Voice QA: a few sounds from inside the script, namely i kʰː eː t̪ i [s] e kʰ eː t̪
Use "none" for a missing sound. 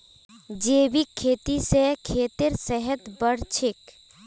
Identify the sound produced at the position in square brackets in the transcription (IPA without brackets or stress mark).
s